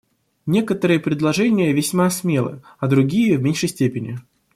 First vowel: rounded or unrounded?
unrounded